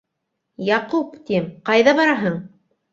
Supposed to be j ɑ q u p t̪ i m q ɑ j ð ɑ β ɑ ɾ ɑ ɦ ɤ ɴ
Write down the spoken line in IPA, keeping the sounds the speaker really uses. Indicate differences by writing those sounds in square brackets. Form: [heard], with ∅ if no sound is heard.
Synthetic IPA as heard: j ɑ q u p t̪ i m q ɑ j ð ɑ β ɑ ɾ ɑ ɦ ɤ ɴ